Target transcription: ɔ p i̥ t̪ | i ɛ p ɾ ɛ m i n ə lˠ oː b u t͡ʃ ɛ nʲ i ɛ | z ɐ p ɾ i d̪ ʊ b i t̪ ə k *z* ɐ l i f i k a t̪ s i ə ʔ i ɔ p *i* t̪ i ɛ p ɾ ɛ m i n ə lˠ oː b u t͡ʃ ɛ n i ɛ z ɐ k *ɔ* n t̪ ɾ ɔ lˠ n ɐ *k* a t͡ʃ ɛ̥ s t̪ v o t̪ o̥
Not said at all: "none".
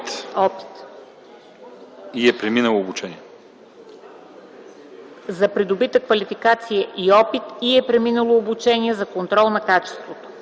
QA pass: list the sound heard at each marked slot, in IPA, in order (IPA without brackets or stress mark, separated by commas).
v, i, o, k